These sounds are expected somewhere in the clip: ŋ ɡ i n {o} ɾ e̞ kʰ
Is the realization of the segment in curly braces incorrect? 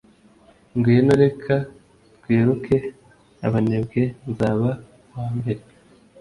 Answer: no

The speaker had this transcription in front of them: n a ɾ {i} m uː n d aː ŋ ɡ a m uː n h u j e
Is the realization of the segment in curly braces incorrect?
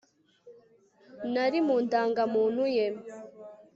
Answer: no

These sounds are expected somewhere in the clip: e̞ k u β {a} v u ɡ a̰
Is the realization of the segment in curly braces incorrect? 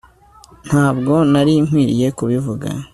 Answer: yes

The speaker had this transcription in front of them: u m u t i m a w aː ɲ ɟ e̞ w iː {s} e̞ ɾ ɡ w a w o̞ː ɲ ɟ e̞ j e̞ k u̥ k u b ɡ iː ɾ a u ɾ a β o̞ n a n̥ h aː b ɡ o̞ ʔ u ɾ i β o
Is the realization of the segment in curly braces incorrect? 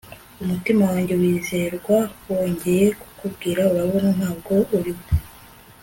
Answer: yes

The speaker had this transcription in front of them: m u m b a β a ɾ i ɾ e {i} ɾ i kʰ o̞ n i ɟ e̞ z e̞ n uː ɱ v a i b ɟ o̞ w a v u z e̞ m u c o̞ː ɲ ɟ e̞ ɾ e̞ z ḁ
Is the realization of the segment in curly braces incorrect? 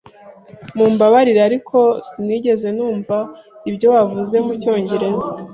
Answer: yes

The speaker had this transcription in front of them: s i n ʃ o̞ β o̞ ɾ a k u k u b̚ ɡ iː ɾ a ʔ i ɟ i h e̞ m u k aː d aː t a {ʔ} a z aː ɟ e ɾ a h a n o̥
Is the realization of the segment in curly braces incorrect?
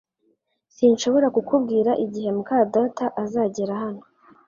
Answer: no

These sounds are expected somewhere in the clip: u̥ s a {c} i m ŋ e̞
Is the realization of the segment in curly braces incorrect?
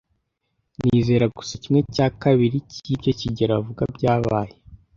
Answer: no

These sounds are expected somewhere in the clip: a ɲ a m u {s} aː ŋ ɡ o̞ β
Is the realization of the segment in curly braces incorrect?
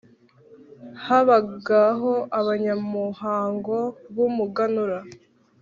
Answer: yes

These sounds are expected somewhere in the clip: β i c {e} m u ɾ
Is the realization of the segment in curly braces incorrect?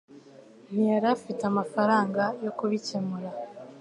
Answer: no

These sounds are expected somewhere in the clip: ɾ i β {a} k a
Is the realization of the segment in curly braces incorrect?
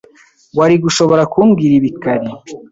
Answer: yes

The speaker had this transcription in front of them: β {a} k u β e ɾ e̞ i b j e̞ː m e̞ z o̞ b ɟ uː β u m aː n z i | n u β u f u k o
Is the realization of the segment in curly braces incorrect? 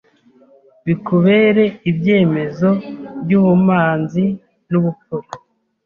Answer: yes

